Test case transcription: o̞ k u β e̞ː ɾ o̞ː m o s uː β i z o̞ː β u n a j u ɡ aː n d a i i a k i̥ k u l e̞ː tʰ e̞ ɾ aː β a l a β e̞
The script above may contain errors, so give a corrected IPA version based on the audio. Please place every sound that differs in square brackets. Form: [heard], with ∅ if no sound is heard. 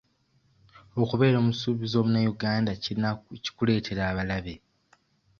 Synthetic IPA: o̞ k u β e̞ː ɾ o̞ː m [u] s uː β i z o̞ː β u n a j u ɡ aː n d a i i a [c] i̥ k u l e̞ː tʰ e̞ ɾ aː β a l a β e̞